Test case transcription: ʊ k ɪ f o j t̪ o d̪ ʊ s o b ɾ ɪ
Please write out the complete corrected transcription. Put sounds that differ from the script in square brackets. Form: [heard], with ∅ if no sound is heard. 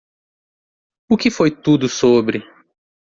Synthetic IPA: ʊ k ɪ f o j t̪ [u] d̪ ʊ s o b ɾ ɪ